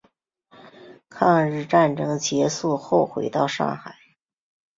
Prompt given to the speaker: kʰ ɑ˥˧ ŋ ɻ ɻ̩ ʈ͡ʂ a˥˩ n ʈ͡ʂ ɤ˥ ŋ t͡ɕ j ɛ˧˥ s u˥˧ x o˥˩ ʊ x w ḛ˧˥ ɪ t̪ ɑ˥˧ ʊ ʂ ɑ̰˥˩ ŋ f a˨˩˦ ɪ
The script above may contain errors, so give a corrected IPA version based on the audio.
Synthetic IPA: kʰ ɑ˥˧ ŋ ɻ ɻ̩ ʈ͡ʂ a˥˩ n ʈ͡ʂ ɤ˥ ŋ t͡ɕ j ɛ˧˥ s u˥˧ x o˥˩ ʊ x w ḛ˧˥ ɪ t̪ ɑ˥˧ ʊ ʂ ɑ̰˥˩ ŋ x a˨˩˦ ɪ